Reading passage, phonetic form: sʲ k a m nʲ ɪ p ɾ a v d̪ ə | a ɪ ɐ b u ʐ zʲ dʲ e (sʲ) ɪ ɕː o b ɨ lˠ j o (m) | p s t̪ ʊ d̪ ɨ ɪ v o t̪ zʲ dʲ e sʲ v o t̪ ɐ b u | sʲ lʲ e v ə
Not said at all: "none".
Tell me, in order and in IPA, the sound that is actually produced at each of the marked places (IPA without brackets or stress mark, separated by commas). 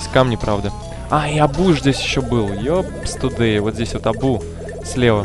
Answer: sʲ, none